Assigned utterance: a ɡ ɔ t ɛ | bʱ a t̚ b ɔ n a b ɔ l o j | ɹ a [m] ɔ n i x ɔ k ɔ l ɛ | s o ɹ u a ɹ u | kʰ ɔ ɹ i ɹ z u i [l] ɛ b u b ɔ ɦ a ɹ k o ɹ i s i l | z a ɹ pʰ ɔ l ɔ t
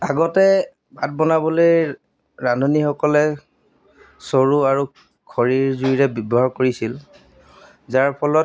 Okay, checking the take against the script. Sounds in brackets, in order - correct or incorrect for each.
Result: incorrect, incorrect

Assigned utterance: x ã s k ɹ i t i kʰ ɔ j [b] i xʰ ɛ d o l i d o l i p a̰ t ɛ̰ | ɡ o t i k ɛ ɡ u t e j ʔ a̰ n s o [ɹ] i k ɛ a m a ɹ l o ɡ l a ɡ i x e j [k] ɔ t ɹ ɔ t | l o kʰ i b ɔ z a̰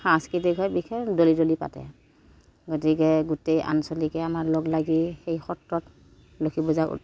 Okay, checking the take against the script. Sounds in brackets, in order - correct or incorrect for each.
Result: correct, incorrect, incorrect

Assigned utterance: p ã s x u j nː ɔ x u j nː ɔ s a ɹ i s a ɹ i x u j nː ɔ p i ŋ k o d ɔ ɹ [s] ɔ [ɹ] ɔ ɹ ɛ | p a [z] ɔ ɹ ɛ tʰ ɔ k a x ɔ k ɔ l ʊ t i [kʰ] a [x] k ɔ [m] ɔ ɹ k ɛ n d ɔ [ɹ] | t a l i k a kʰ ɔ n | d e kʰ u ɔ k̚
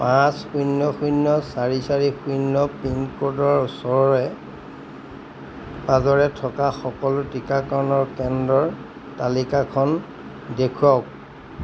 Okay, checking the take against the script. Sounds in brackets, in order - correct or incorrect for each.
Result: correct, correct, correct, incorrect, incorrect, incorrect, correct

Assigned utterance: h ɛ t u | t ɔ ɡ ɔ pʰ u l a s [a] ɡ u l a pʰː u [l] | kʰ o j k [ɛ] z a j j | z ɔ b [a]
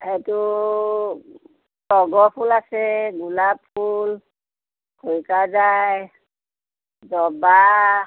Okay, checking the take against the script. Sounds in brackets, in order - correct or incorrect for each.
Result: incorrect, correct, incorrect, correct

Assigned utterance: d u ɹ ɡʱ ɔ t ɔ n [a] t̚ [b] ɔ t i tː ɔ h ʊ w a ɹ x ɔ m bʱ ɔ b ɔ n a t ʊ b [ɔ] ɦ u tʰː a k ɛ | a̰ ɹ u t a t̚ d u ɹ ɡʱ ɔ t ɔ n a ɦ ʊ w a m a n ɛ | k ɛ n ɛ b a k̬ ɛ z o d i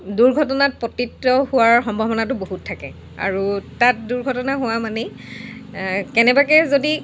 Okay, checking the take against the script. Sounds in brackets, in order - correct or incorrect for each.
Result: correct, incorrect, incorrect

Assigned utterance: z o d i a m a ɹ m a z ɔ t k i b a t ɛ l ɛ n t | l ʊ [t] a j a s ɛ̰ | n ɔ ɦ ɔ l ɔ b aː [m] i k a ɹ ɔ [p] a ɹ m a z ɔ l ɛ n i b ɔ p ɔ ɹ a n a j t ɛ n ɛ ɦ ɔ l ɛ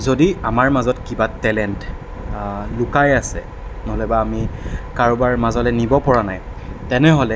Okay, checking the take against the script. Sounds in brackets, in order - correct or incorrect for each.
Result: incorrect, correct, incorrect

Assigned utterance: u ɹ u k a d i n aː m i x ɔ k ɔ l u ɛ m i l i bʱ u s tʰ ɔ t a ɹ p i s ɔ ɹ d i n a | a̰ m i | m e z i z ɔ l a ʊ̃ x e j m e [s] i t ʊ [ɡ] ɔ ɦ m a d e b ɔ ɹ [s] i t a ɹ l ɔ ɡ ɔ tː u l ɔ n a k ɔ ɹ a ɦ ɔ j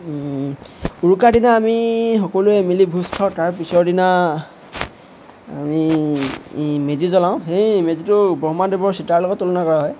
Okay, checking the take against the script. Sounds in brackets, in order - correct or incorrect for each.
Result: incorrect, incorrect, correct

